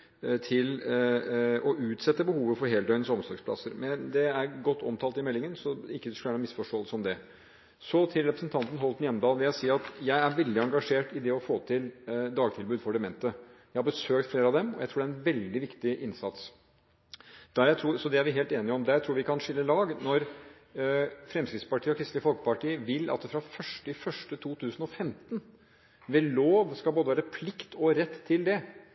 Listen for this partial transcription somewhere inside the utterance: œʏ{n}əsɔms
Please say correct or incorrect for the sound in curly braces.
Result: correct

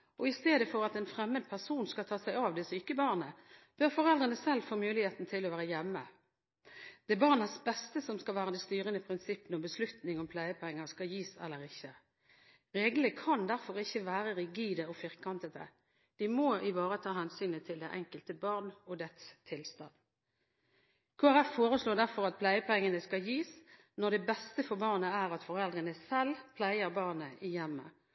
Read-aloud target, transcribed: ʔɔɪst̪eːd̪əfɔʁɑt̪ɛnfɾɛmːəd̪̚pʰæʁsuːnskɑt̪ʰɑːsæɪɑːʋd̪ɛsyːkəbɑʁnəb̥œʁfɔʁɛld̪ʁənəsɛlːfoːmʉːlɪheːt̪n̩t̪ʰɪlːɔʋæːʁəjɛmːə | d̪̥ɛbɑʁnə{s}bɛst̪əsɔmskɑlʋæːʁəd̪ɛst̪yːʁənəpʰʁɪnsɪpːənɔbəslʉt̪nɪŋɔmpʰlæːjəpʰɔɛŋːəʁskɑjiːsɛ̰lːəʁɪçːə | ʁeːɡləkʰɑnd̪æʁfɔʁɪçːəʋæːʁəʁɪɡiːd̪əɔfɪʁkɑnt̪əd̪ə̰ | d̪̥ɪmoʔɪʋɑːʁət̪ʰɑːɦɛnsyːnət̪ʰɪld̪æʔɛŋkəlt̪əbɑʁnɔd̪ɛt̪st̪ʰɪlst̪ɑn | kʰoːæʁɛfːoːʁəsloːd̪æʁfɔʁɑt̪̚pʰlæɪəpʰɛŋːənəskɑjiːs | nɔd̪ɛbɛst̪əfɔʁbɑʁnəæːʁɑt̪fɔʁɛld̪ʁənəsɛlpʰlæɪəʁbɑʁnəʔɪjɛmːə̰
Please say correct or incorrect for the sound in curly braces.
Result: correct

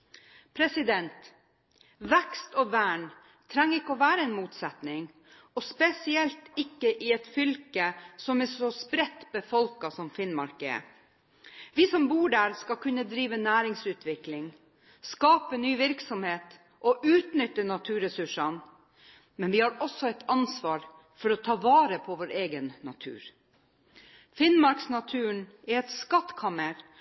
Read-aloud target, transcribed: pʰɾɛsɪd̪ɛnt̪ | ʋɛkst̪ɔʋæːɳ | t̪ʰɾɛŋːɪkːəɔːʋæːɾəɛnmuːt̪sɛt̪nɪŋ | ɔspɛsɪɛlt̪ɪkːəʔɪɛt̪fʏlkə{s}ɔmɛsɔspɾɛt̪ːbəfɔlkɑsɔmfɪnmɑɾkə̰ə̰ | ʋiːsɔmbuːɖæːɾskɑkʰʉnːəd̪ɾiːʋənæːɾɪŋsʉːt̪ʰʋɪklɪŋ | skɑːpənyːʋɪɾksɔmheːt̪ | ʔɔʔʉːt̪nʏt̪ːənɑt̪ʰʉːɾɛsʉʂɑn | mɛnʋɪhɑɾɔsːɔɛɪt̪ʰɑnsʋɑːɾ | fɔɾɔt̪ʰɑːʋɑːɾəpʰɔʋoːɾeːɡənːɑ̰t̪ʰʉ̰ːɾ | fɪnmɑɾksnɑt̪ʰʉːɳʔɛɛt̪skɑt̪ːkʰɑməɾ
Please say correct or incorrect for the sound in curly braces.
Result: correct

